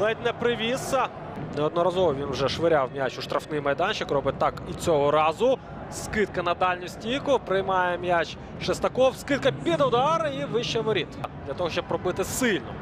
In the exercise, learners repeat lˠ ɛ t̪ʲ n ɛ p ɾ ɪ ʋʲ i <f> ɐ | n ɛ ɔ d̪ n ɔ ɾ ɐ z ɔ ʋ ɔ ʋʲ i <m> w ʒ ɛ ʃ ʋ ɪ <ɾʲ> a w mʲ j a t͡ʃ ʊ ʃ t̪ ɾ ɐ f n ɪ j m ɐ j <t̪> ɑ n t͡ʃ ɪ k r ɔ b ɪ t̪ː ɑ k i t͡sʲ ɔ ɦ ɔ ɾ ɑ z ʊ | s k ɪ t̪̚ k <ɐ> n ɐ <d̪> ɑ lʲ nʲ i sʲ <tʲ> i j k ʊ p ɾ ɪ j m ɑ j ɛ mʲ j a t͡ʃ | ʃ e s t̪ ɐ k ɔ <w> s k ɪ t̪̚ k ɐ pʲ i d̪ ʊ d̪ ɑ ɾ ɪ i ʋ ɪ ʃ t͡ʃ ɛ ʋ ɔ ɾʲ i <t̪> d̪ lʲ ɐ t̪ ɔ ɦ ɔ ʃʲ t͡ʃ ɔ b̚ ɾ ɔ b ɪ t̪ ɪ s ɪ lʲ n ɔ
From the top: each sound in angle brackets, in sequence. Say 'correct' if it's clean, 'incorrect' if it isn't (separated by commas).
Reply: incorrect, incorrect, correct, incorrect, correct, correct, correct, correct, correct